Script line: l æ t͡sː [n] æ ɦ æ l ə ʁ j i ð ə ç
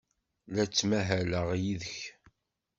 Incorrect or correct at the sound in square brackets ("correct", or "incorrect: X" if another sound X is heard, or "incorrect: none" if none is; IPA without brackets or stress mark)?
incorrect: m